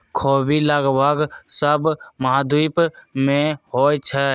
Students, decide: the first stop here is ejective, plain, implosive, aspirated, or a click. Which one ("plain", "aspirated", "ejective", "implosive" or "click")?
aspirated